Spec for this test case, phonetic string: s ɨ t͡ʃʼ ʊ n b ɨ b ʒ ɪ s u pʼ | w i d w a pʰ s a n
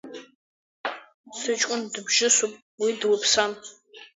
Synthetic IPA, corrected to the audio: s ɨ t͡ʃʼ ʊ n d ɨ b ʒ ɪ s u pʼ | w i d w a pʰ s a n